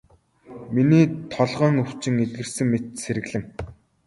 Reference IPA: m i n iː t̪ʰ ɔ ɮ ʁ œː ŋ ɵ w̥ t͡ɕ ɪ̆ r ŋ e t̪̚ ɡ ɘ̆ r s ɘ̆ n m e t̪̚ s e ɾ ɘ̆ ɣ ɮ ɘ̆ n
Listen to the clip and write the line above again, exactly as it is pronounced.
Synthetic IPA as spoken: m i n iː t̪ʰ ɔ ɮ ʁ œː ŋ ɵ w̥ t͡ɕ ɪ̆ ŋ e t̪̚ ɡ ɘ̆ r s ɘ̆ ŋ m e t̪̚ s e ɾ ɘ̆ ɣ ɮ ɘ̆ ŋ